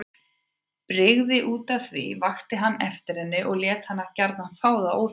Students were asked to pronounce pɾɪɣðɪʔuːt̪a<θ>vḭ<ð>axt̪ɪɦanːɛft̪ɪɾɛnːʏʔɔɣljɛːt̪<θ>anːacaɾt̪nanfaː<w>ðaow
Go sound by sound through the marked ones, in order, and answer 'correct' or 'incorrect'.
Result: correct, incorrect, incorrect, correct

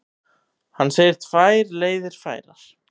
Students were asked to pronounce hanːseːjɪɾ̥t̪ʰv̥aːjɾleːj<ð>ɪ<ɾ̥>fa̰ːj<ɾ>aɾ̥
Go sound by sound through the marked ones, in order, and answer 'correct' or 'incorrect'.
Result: correct, correct, correct

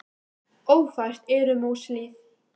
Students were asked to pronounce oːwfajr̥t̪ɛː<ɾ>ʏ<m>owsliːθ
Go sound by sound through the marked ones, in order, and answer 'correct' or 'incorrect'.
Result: correct, correct

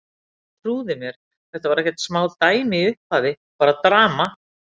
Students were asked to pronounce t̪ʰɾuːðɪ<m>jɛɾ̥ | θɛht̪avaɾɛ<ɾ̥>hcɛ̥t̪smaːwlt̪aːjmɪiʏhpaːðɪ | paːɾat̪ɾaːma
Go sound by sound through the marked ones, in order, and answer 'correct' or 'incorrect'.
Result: correct, incorrect

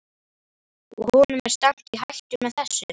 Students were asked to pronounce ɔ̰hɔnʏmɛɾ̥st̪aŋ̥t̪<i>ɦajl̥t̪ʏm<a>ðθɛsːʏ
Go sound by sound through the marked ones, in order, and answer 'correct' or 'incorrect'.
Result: correct, incorrect

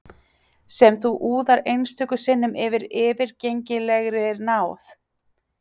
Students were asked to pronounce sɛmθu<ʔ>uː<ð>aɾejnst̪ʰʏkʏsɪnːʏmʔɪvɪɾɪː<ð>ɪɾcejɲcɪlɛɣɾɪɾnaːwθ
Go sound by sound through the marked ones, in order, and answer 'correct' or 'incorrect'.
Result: correct, correct, incorrect

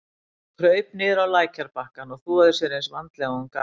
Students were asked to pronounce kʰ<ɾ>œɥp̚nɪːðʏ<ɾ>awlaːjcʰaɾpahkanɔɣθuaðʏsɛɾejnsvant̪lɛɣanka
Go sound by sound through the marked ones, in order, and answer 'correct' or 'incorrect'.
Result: correct, correct

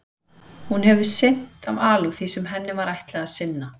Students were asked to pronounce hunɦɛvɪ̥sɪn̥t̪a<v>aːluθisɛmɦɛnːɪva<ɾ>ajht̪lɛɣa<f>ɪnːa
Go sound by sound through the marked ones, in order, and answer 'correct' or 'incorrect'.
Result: correct, correct, incorrect

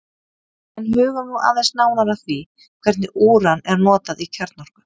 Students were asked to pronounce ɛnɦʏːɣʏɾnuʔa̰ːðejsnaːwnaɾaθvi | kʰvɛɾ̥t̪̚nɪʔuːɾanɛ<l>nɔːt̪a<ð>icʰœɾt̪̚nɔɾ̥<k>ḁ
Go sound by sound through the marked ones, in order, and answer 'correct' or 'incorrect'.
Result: incorrect, correct, correct

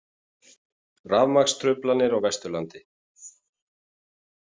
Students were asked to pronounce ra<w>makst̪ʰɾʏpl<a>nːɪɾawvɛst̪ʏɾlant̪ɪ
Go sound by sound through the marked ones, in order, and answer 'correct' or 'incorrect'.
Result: incorrect, correct

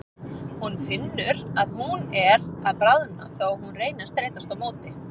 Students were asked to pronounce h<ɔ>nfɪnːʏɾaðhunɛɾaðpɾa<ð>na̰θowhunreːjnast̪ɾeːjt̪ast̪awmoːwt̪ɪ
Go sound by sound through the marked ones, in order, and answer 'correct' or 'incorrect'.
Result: incorrect, correct

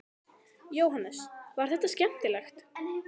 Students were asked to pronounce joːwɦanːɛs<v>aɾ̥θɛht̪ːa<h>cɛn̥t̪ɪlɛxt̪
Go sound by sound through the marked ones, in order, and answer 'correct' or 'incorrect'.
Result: correct, incorrect

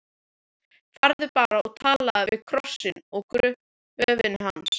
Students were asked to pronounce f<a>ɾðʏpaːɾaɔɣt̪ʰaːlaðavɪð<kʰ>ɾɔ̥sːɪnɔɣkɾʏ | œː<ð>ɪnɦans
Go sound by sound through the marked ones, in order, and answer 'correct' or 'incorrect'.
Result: correct, correct, incorrect

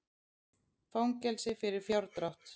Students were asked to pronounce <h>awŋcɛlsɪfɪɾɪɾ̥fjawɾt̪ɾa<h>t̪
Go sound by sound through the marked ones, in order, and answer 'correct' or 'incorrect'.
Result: incorrect, correct

